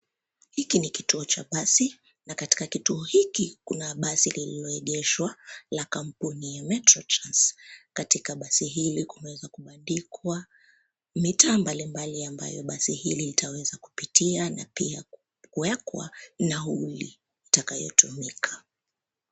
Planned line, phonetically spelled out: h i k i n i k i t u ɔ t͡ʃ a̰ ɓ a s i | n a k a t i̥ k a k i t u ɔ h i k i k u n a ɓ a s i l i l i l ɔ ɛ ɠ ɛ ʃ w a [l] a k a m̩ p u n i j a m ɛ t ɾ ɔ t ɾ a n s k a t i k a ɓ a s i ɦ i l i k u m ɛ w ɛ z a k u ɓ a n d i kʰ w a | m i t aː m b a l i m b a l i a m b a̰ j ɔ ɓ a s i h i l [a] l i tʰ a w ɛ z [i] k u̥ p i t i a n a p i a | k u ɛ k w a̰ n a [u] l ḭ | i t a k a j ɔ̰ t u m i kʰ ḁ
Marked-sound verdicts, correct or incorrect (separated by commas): correct, incorrect, incorrect, correct